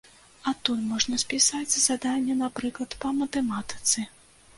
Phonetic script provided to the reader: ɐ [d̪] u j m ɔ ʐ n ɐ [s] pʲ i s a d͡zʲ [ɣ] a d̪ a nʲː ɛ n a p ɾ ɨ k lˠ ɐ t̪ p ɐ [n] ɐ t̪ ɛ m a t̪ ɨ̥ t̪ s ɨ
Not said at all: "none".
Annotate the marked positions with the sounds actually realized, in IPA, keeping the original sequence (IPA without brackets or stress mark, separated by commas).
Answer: t̪, s, z, m